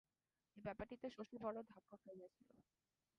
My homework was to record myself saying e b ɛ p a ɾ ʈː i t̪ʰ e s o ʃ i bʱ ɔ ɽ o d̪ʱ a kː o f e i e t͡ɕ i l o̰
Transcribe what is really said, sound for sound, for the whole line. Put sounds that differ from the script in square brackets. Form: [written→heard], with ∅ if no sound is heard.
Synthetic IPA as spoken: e b ɛ p a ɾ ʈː i [t̪ʰ→t̪] e [s→ʃ] o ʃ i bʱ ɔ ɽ o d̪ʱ a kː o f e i e [t͡ɕ→t͡ɕʰ] i l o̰